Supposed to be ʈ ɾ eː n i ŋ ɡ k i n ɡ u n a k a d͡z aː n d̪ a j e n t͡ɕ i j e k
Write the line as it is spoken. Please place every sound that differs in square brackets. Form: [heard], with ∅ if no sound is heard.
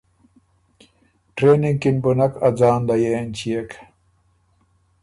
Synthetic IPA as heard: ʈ ɾ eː n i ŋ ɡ k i n [b] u n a k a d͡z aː n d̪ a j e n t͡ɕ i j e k